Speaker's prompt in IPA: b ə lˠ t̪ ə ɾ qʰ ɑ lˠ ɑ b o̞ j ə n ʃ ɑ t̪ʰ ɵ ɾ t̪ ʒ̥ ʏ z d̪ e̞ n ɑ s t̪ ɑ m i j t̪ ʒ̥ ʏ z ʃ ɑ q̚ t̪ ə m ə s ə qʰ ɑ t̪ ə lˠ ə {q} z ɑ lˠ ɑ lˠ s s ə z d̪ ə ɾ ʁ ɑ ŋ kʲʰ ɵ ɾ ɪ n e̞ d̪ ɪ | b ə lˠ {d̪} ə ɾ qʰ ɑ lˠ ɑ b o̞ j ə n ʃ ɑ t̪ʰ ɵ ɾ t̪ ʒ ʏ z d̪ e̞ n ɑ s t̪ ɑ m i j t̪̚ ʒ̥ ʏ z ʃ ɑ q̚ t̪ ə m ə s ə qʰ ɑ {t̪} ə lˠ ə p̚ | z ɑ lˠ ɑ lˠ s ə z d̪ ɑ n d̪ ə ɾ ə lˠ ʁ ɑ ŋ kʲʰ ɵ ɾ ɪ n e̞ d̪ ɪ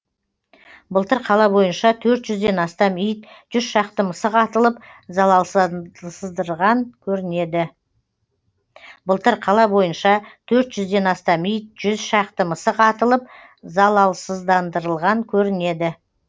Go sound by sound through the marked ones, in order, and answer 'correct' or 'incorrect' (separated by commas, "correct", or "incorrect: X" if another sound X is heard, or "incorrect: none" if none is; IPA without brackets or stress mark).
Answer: incorrect: p, incorrect: t̪, correct